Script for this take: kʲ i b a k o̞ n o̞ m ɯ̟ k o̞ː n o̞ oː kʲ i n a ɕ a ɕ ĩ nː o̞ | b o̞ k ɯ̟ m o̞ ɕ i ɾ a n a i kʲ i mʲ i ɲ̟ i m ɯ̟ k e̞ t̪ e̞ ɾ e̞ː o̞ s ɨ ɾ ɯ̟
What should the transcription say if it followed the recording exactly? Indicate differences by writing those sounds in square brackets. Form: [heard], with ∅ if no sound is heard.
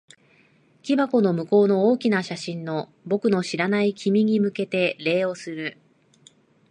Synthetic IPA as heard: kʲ i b a k o̞ n o̞ m ɯ̟ k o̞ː n o̞ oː kʲ i n a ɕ a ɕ ĩ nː o̞ | b o̞ k ɯ̟ [n] o̞ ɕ i ɾ a n a i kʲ i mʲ i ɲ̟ i m ɯ̟ k e̞ t̪ e̞ ɾ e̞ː o̞ s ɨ ɾ ɯ̟